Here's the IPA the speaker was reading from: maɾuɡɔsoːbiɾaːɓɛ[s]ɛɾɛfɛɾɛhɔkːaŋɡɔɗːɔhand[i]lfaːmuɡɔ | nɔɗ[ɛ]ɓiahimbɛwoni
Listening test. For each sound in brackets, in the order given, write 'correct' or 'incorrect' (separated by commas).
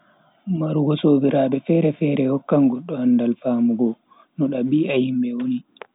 incorrect, incorrect, incorrect